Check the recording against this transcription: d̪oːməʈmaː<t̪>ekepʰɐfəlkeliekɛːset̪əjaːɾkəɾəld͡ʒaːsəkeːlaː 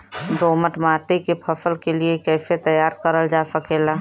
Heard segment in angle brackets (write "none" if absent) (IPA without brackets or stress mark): t̪